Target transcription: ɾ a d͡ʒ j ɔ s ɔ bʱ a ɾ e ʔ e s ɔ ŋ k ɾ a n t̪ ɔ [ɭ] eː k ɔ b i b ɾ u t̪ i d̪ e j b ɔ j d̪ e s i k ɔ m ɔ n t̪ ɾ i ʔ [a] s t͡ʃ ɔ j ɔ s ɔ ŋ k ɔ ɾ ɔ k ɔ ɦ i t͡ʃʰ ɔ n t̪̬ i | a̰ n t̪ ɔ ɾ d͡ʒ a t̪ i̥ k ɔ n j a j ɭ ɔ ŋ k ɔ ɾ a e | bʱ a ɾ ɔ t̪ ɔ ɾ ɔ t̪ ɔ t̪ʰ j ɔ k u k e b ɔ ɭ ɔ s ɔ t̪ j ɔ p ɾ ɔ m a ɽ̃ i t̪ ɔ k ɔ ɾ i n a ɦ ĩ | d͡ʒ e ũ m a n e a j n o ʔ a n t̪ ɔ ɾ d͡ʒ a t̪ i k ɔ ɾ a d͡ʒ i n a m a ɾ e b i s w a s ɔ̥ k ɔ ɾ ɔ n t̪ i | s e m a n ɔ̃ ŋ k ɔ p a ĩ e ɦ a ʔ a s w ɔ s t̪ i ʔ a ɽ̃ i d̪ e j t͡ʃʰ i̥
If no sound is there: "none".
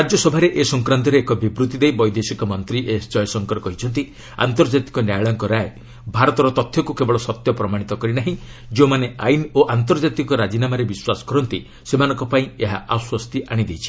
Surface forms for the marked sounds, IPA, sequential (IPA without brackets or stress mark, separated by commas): ɾ, e